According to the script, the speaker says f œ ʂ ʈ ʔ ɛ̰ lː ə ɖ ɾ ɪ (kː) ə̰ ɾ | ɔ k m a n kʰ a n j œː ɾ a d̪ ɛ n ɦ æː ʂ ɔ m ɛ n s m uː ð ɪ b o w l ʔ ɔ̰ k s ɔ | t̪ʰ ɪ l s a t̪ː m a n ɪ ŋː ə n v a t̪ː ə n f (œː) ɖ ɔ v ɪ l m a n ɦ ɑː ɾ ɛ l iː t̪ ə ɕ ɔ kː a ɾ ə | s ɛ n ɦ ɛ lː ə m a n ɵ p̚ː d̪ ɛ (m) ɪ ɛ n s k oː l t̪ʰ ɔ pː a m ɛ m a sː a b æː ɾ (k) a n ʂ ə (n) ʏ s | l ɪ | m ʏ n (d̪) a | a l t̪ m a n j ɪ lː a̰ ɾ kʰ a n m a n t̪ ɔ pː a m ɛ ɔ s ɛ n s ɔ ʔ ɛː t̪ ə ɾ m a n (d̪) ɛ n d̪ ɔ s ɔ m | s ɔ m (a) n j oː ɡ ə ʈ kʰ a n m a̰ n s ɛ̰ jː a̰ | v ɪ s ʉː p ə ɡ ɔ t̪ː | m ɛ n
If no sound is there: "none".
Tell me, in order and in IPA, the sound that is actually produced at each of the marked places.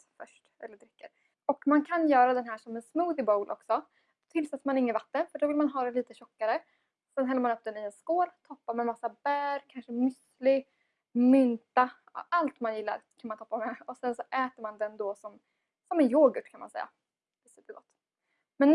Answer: kː, œ, n, kʰ, m, t̪, d̪, ɛ

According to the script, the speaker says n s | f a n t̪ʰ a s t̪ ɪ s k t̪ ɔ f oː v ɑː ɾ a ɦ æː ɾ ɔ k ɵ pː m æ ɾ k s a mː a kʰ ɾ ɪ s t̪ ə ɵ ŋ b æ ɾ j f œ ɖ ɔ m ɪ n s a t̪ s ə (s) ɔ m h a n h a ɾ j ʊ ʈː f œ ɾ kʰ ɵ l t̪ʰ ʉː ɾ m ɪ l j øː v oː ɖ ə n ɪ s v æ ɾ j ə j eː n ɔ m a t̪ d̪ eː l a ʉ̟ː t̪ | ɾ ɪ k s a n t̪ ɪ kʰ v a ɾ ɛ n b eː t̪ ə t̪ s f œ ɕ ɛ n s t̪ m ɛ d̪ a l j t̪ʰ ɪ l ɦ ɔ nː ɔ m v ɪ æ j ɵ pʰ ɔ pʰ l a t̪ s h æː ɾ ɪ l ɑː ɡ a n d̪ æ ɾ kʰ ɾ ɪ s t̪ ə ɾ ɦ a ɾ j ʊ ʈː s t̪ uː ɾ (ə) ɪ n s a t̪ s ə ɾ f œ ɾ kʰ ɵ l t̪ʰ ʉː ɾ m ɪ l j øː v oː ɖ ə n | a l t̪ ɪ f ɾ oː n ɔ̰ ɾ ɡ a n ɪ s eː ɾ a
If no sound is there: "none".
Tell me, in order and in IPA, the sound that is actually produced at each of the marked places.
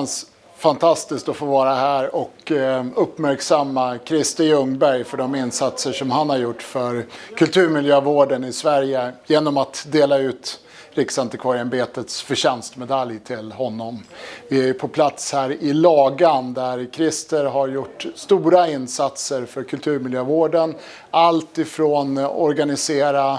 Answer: ʂ, a

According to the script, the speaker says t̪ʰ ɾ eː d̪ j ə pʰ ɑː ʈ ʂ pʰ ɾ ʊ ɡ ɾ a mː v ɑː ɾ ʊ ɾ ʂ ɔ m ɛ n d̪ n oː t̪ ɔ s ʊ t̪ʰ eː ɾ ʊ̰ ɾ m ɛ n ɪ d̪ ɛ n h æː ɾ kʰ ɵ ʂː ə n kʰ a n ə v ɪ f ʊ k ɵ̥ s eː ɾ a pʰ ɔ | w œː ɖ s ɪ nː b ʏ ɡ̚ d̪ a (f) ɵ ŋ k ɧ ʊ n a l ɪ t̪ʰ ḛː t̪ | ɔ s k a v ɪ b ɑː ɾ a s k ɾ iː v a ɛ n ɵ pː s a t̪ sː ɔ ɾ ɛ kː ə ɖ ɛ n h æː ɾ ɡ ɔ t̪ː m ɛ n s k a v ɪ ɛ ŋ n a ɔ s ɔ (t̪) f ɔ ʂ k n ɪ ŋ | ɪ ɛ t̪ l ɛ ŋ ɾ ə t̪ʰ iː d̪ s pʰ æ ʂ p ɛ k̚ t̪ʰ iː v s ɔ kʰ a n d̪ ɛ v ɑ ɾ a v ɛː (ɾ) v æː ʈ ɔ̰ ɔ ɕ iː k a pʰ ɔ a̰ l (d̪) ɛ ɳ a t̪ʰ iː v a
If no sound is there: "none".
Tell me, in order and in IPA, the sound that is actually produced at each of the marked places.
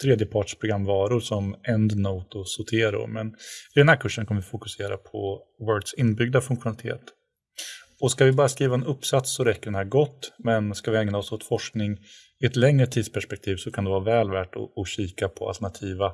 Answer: f, t̪, l, t̪

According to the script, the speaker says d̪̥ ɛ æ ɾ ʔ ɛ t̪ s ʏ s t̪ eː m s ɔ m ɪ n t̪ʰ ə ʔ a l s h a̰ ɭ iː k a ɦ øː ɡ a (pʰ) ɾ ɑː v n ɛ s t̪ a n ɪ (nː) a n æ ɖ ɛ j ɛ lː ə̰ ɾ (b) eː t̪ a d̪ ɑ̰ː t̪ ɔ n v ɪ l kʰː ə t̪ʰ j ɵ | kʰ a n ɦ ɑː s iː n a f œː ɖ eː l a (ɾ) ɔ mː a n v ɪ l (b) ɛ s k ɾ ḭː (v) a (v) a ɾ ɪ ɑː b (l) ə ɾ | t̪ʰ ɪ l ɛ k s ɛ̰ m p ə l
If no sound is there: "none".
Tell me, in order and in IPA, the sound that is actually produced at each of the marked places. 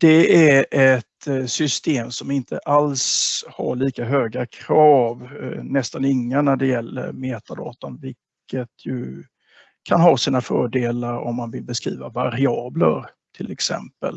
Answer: kʰ, ŋː, m, ɾ, b, v, v, l

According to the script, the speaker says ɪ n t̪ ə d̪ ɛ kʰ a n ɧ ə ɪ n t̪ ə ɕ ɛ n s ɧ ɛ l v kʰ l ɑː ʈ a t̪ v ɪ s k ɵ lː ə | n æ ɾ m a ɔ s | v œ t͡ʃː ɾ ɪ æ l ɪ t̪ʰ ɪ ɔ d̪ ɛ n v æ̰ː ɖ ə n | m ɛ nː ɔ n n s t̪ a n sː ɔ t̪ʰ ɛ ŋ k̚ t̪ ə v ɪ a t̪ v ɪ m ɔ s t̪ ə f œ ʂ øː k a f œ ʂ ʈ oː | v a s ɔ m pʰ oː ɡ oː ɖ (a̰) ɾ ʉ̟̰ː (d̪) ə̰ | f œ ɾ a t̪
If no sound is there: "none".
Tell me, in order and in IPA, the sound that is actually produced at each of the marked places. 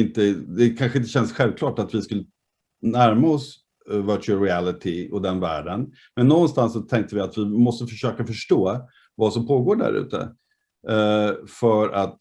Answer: æ̰, t̪

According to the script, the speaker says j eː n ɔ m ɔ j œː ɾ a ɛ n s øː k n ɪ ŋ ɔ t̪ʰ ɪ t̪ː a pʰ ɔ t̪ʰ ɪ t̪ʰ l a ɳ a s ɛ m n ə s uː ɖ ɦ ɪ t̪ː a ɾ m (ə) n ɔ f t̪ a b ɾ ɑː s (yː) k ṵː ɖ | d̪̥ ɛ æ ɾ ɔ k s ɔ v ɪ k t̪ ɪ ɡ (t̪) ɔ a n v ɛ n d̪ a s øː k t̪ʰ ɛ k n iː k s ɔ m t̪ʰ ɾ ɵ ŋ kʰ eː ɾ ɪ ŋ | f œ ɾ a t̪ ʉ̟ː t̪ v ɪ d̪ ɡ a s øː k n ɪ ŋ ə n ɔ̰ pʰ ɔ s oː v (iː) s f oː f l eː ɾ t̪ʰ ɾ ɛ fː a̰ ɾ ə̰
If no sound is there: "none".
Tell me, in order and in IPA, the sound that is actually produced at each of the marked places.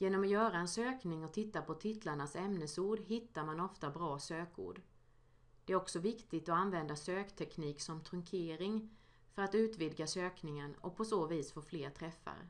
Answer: a, øː, t̪, iː

